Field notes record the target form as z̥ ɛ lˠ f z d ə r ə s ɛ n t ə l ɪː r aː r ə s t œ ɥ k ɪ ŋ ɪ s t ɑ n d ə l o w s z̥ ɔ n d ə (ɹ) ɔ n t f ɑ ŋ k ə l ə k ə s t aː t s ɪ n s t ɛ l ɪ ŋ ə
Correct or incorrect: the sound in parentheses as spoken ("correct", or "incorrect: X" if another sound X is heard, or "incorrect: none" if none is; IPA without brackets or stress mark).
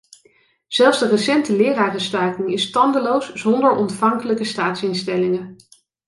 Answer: correct